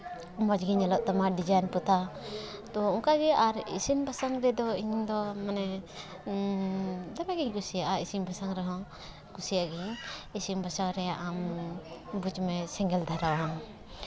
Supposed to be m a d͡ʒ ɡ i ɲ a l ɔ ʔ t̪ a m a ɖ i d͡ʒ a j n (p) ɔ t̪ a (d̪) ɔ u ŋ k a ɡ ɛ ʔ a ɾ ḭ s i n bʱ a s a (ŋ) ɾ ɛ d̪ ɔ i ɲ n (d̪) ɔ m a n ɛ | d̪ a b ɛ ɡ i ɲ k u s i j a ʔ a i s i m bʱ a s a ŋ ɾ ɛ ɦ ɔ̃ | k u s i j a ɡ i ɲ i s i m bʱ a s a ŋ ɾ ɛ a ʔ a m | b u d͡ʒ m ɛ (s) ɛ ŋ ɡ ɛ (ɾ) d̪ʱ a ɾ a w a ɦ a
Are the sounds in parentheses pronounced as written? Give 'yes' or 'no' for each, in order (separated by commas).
yes, no, yes, yes, yes, no